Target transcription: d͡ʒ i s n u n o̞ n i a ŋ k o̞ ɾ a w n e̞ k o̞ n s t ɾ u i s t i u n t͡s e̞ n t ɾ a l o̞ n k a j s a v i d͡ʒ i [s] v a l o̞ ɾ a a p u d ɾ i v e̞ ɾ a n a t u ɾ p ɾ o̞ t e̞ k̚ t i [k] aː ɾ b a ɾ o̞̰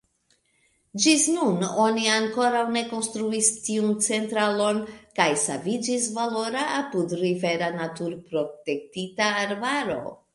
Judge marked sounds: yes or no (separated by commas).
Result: yes, no